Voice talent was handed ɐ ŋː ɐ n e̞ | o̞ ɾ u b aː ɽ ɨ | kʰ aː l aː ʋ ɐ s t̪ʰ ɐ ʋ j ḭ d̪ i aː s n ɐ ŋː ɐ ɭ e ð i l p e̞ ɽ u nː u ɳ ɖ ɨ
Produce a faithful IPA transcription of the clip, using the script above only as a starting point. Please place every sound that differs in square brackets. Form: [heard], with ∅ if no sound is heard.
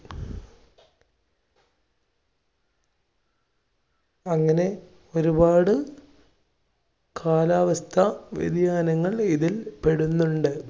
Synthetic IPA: ɐ ŋː ɐ n e̞ | o̞ ɾ u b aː ɽ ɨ | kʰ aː l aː ʋ ɐ s t̪ʰ ɐ ʋ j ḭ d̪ [j] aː [∅] n ɐ ŋː ɐ ɭ [i] ð i l p e̞ ɽ u nː u ɳ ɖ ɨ